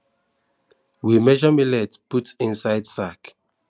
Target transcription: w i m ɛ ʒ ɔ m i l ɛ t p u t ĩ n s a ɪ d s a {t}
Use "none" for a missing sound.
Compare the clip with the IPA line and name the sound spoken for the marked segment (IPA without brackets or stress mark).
k